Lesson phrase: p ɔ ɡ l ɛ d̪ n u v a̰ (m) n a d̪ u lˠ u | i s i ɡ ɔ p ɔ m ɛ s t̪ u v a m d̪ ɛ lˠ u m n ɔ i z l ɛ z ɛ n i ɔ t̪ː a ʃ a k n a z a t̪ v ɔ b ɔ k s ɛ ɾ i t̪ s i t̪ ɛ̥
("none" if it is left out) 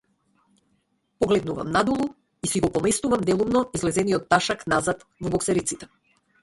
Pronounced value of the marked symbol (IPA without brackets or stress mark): m